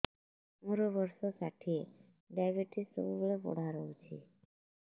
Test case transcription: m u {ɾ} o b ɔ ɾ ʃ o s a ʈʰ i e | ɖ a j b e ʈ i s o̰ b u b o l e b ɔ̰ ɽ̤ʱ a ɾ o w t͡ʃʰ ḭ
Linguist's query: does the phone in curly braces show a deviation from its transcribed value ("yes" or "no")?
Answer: no